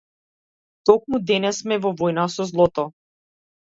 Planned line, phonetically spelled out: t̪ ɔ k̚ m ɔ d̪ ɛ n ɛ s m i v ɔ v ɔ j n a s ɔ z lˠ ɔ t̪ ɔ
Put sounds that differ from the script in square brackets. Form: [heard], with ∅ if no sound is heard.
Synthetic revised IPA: t̪ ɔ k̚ m [u] d̪ ɛ n ɛ s m [ɛ] v ɔ v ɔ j n a s ɔ z lˠ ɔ t̪ ɔ